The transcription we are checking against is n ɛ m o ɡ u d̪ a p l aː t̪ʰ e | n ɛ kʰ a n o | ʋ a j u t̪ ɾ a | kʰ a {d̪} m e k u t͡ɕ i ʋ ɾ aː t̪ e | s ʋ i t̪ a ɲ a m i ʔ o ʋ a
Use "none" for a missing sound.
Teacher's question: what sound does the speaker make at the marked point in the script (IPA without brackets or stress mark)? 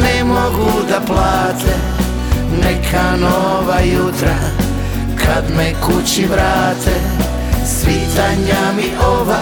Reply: d̪